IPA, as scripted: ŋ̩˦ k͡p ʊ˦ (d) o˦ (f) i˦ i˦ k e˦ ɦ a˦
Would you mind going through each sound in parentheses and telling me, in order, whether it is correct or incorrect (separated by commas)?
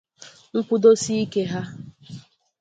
correct, incorrect